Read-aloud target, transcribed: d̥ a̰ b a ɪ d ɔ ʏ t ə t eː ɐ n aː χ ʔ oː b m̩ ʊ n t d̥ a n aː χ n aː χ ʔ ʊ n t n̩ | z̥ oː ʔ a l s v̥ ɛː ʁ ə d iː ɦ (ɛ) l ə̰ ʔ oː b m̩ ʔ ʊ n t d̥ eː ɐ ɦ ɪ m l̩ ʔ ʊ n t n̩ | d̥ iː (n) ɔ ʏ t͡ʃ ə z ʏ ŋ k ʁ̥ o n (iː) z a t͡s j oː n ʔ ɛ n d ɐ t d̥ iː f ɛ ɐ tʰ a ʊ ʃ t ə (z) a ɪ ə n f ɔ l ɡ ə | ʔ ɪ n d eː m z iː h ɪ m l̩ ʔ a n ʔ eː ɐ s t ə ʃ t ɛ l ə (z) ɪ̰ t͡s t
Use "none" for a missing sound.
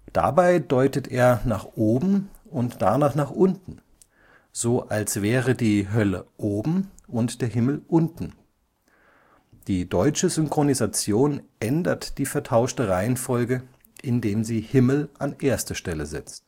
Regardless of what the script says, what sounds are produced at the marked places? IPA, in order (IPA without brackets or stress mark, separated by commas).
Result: œ, d, i, ʁ, z